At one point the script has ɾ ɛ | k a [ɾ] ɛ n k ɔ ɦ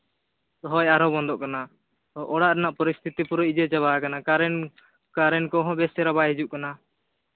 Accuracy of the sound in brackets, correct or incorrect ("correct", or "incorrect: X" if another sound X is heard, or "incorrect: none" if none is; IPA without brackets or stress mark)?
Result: correct